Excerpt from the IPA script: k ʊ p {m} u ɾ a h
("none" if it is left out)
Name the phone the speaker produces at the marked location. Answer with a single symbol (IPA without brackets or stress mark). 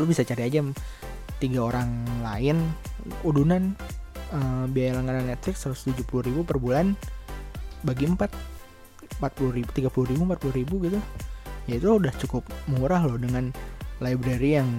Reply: m